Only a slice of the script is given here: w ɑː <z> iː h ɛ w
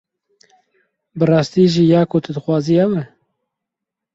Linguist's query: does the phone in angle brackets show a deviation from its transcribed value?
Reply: no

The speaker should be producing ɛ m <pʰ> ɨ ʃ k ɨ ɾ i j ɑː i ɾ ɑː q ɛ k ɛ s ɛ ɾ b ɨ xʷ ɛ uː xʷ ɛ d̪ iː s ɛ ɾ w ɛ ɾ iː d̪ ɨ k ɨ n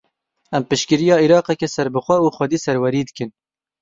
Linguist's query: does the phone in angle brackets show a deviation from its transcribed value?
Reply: yes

